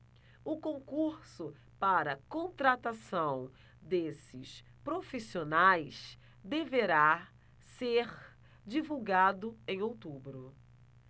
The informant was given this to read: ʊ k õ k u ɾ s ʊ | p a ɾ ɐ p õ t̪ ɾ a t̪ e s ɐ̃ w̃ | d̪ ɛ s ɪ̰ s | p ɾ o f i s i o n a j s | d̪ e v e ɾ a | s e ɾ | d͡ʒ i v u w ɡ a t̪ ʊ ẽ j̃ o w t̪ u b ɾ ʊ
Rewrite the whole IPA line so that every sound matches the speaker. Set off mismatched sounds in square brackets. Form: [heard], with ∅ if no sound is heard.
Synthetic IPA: ʊ k õ k u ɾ s ʊ | p a ɾ ɐ [k] õ t̪ ɾ a t̪ [a] s ɐ̃ w̃ | d̪ [e] s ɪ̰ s | p ɾ o f i s i o n a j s | d̪ e v e ɾ a | s e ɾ | d͡ʒ i v u w ɡ a [d̪] ʊ ẽ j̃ o w t̪ u b ɾ ʊ